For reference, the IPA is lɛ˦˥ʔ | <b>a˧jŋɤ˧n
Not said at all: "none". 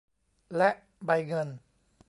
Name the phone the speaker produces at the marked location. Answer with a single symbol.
b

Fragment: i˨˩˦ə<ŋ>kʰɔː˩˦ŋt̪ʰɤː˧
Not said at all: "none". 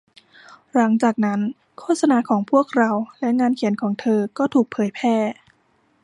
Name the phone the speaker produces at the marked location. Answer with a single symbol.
n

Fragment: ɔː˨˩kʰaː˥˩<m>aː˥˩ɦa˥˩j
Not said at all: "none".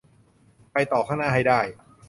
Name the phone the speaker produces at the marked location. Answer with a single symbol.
n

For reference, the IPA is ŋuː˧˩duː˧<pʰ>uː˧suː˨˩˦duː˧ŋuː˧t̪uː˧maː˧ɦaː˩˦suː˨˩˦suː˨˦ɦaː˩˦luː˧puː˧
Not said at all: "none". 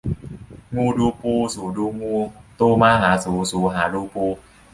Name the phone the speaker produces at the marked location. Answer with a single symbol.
p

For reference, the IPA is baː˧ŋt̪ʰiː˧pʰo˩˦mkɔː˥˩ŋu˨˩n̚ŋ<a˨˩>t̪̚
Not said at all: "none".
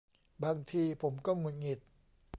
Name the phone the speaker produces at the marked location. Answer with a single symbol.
i˨˩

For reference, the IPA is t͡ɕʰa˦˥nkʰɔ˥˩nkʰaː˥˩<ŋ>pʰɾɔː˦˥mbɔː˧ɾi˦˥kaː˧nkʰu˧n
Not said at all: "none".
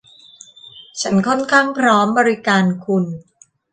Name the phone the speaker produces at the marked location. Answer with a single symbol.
ŋ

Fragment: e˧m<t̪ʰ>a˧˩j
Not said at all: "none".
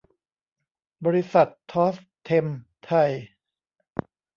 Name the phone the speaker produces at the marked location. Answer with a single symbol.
t̪ʰ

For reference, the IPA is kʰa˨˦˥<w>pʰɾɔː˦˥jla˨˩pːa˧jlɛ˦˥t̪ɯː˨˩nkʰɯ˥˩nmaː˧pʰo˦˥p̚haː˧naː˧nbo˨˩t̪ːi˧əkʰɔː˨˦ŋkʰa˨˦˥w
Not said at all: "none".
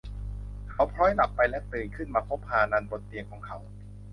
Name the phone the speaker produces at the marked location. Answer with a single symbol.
w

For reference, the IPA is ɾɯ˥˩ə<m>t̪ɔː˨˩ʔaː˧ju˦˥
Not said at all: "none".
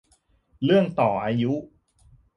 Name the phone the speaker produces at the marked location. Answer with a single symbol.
ŋ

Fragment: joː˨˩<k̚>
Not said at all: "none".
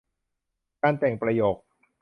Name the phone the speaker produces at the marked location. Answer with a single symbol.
k̚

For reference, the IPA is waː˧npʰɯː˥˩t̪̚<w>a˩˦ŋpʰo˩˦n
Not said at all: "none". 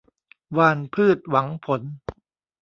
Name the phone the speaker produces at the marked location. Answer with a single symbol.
w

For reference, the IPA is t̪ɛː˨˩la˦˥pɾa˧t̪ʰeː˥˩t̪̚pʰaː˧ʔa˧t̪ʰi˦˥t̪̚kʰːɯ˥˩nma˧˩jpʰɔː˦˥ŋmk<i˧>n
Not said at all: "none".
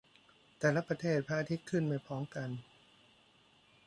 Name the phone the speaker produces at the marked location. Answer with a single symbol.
a˧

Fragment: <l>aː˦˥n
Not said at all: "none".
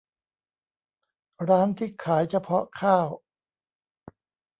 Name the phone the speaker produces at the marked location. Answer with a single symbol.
ɾ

